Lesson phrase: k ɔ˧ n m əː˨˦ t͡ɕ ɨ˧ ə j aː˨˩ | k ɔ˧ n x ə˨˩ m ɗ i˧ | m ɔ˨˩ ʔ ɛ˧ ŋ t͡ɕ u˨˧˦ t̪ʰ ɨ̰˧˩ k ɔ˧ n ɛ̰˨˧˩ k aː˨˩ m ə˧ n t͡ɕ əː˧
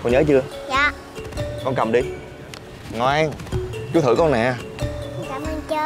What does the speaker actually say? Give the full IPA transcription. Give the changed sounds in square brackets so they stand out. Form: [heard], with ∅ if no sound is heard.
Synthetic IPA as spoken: k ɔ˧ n [ɲ] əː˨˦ t͡ɕ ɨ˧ ə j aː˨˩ | k ɔ˧ n [k] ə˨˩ m ɗ i˧ | [ŋ] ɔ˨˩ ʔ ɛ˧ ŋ t͡ɕ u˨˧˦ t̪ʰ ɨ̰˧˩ k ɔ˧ n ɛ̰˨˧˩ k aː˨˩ m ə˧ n t͡ɕ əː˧

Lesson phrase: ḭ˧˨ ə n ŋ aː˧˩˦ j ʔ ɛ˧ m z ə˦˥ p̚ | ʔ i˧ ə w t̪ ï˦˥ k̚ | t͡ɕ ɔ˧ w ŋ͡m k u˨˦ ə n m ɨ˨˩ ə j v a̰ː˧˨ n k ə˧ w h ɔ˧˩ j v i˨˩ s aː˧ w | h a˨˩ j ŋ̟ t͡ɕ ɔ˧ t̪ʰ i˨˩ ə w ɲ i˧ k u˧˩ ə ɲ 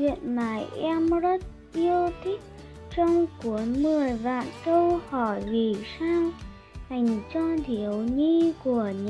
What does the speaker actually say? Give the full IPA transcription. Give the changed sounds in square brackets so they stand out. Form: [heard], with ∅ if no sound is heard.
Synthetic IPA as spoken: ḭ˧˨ ə n [m] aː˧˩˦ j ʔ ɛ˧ m z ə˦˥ [t̚] | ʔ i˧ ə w [t̪ʰ] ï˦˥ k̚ | t͡ɕ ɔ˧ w ŋ͡m k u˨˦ ə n m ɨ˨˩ ə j v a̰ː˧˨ n k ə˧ w h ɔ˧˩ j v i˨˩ s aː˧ w | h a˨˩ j ŋ̟ t͡ɕ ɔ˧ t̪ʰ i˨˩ ə w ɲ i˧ k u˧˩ ə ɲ

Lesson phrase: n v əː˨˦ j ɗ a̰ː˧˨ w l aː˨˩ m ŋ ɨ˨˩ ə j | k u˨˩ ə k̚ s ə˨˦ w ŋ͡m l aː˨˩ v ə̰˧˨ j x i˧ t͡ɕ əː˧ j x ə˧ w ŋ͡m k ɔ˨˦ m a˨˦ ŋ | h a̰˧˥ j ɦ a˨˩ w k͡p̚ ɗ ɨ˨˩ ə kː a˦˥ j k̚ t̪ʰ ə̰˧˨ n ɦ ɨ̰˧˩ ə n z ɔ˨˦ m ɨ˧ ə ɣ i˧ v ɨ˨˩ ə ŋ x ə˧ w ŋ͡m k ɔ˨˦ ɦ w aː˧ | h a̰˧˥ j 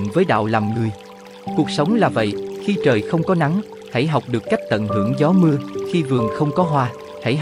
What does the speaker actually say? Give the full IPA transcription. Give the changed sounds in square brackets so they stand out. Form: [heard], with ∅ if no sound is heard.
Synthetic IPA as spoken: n v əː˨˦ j ɗ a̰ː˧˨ w l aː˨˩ m ŋ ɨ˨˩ ə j | k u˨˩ ə k̚ s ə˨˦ w ŋ͡m l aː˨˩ v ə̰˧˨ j x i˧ t͡ɕ [əː˨˩] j x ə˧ w ŋ͡m k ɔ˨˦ [n] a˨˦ ŋ | h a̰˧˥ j ɦ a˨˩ w k͡p̚ ɗ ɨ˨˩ ə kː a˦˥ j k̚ [t̪] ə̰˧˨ n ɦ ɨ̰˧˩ ə [ŋ] z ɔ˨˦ m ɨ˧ ə [x] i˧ v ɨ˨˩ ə ŋ x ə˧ w ŋ͡m k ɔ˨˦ ɦ w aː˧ | h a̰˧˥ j

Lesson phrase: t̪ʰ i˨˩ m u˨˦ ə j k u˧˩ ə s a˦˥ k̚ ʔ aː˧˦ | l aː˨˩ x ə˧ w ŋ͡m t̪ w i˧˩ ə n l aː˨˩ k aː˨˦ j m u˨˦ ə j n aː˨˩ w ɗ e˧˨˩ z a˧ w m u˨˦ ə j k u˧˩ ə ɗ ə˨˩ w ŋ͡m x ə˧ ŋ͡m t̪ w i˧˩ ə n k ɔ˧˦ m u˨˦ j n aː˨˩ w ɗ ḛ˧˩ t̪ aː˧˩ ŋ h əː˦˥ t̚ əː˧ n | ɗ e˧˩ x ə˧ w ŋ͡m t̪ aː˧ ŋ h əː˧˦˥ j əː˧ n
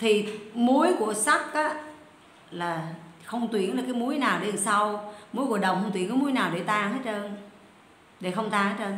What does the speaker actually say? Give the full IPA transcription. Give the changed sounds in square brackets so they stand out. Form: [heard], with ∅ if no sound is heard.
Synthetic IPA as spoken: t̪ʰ i˨˩ m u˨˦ ə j k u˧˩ ə s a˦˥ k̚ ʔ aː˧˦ | l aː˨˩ x ə˧ w ŋ͡m t̪ w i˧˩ ə n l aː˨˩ k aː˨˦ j m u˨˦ ə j n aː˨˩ w ɗ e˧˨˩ [s] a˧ w m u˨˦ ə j k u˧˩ ə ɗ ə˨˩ w ŋ͡m x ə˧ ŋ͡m t̪ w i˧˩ ə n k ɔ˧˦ m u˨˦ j n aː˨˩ w ɗ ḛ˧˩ t̪ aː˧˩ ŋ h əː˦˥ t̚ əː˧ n | ɗ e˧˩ x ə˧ w ŋ͡m t̪ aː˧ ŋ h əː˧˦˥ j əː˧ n

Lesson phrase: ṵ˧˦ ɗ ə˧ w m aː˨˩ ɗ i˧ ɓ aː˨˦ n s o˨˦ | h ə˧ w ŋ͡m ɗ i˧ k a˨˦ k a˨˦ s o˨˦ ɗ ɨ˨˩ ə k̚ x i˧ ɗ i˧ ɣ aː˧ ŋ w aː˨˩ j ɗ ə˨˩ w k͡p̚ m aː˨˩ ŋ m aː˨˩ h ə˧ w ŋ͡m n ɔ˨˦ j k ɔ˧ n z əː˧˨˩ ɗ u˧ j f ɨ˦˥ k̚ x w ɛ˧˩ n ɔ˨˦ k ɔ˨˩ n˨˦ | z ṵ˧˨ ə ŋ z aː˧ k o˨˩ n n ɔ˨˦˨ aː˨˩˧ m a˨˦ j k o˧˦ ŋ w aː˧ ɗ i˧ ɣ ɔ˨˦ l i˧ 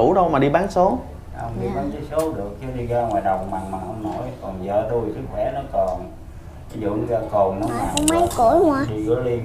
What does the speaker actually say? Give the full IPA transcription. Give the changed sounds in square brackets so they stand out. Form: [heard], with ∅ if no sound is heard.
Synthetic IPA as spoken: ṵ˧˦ ɗ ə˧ w m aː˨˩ ɗ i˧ ɓ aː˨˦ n s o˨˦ | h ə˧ w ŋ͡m ɗ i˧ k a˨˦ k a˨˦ s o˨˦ ɗ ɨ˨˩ ə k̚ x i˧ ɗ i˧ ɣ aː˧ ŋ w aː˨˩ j ɗ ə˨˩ w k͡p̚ m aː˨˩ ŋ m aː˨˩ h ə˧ w ŋ͡m n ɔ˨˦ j k [ɔ˨˩] n z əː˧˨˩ ɗ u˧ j [s] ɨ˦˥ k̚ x w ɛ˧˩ n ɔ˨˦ k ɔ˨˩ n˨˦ | z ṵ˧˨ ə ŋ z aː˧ k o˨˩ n n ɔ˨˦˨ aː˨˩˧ m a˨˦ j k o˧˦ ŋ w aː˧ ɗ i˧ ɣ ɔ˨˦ l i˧

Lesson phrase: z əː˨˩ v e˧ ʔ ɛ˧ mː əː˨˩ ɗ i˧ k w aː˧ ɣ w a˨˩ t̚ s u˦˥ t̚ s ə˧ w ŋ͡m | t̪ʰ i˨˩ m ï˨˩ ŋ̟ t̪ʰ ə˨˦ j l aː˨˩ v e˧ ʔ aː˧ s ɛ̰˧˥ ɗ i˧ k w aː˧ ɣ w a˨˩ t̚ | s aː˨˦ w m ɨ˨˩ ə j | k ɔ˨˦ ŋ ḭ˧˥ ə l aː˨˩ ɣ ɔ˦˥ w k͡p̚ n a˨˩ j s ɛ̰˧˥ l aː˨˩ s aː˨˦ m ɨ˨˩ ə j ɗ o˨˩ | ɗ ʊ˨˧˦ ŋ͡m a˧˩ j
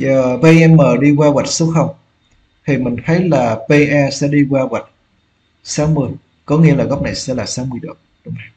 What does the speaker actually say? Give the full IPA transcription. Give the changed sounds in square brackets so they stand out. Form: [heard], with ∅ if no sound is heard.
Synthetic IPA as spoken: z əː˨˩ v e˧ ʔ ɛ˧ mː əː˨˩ ɗ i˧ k w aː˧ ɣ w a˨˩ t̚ s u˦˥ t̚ [x] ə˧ w ŋ͡m | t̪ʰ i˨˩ m ï˨˩ ŋ̟ t̪ʰ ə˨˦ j l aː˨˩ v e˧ ʔ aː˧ s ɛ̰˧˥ ɗ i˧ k w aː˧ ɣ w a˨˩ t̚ | s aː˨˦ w m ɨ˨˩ ə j | k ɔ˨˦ ŋ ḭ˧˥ ə l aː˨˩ ɣ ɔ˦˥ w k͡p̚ n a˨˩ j s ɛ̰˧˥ l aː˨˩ s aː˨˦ m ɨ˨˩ ə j ɗ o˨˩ | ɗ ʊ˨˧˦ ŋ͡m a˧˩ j

